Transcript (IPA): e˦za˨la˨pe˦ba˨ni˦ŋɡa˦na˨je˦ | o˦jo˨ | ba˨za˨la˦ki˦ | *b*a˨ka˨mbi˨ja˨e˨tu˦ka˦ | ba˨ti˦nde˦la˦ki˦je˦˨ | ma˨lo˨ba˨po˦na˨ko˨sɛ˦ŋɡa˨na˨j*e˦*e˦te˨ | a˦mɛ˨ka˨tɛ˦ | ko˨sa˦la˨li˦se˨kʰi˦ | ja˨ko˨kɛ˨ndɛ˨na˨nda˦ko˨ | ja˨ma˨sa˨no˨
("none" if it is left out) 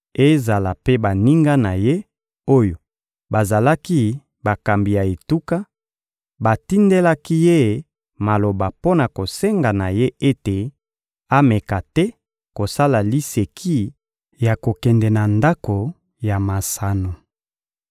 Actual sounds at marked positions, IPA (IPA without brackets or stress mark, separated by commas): b, e˦